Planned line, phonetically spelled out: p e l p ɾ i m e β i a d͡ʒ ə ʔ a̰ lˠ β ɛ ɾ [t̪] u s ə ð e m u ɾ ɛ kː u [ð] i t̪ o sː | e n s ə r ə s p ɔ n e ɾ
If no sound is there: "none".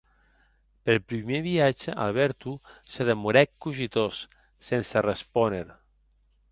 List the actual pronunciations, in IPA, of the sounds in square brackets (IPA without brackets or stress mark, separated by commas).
t̪, ʒ